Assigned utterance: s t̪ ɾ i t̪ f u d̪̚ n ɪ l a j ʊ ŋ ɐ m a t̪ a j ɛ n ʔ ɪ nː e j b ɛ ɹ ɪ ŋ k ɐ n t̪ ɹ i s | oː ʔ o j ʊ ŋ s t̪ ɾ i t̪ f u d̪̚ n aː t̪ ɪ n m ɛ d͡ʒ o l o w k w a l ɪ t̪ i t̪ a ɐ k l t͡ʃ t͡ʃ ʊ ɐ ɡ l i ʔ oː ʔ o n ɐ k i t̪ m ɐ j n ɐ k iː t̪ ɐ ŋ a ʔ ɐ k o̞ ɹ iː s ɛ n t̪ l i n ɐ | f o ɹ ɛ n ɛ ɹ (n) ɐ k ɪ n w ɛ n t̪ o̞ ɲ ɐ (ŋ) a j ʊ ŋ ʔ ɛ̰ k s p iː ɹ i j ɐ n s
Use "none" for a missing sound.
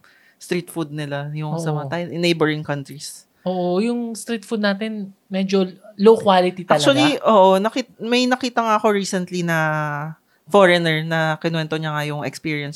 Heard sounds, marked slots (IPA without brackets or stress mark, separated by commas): n, ŋ